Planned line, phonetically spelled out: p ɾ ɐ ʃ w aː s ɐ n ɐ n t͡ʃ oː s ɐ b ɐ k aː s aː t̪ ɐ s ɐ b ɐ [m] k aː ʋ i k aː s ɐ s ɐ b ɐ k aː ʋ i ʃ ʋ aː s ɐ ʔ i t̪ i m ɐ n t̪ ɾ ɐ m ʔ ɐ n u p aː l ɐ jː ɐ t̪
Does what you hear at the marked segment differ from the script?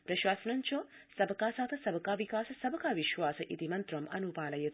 yes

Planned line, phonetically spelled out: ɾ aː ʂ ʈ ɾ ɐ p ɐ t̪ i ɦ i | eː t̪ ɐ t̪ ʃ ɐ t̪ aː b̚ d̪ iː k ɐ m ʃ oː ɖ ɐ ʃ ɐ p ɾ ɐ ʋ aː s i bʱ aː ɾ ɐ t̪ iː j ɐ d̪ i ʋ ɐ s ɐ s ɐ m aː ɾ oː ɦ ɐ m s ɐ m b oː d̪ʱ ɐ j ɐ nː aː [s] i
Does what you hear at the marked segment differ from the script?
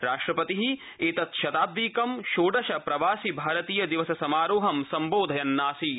no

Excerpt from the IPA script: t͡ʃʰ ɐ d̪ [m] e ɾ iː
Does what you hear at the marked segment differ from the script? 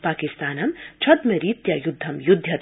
no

